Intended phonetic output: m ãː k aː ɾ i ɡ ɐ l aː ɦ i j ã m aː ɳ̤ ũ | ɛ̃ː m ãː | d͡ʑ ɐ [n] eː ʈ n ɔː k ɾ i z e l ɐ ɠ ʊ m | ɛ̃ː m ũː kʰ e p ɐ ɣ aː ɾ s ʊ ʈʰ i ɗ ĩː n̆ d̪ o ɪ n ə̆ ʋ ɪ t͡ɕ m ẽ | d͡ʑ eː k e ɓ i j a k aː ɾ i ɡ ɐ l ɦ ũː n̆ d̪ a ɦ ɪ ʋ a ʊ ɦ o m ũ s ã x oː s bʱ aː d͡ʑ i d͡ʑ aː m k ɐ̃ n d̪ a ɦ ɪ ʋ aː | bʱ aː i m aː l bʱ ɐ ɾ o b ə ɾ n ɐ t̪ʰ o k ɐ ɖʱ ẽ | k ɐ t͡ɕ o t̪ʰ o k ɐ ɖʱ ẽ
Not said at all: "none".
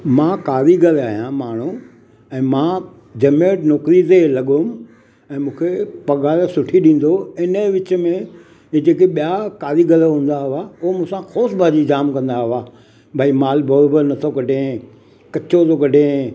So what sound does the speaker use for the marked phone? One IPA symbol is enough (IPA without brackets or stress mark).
m